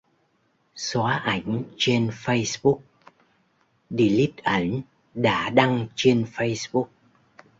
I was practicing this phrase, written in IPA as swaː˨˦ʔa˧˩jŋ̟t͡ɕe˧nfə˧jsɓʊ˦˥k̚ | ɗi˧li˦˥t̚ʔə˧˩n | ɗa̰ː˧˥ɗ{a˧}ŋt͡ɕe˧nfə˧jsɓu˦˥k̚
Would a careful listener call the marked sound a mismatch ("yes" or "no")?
no